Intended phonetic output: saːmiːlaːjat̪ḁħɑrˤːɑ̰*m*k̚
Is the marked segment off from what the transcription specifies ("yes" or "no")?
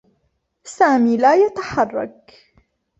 yes